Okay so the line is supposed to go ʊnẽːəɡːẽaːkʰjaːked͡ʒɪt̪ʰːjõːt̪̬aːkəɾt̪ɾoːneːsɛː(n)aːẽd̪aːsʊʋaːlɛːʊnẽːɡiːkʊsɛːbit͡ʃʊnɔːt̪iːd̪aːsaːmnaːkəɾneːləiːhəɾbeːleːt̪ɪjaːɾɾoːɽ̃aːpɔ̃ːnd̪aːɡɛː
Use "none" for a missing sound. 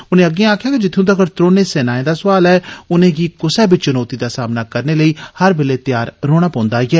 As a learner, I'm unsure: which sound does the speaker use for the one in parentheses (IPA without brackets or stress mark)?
n